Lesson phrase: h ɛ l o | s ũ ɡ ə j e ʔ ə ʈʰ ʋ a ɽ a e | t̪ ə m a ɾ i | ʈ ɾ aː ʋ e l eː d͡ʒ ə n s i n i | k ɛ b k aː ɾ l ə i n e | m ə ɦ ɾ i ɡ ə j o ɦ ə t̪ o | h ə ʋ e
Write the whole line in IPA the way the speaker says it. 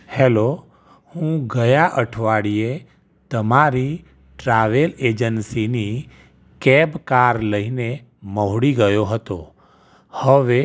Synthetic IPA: h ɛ l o | h ũ ɡ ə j a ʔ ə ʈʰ ʋ a ɽ i e | t̪ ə m a ɾ i | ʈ ɾ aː ʋ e l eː d͡ʒ ə n s i n i | k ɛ b k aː ɾ l ə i n e | m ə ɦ ɽ i ɡ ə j o ɦ ə t̪ o | h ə ʋ e